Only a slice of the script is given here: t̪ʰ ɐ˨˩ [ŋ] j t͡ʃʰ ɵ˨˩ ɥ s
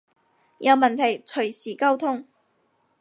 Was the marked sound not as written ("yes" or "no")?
yes